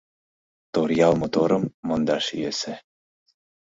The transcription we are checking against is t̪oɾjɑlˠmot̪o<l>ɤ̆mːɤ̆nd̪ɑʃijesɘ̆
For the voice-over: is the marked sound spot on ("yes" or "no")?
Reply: no